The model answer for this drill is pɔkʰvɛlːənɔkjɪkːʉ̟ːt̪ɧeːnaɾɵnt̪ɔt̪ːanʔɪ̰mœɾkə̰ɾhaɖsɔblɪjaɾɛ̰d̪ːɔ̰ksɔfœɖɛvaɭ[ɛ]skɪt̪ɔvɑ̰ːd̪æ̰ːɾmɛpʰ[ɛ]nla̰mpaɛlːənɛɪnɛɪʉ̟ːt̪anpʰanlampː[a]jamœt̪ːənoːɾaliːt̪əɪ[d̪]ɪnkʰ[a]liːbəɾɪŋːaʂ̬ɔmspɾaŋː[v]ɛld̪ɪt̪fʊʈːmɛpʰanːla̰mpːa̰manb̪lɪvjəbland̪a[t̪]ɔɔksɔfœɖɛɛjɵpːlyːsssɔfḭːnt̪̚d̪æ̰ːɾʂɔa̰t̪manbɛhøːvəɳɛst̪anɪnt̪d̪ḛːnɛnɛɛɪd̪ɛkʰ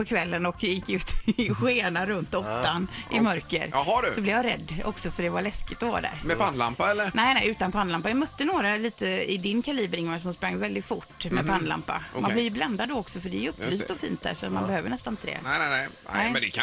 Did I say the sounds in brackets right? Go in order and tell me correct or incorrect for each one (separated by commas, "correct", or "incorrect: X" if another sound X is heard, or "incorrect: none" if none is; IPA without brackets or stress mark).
correct, incorrect: a, correct, correct, correct, correct, incorrect: d̪